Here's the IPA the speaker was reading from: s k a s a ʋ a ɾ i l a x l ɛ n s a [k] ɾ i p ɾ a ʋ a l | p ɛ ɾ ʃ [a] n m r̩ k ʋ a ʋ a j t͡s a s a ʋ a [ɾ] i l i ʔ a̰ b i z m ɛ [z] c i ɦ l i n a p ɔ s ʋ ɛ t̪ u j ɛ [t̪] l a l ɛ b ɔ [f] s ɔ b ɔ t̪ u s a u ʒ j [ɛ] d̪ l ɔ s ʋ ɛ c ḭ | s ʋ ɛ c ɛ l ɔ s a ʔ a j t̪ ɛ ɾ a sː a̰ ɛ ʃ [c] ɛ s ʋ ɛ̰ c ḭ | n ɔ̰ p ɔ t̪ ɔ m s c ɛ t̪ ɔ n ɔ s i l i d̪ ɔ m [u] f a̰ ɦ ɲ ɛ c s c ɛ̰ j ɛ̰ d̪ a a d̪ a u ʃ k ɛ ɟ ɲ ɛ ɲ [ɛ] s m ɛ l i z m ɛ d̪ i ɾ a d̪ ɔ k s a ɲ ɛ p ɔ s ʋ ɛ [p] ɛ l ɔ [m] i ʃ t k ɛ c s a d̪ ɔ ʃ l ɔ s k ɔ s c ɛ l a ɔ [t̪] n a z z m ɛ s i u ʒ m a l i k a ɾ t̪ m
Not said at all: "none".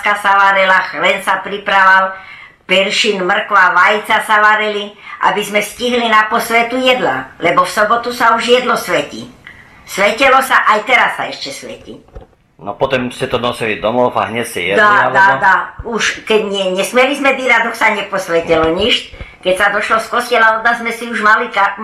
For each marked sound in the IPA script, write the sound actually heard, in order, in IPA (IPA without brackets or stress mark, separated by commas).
p, i, ɾ, s, d̪, f, ɛ, c, ɔ, ɛ, c, ɲ, d̪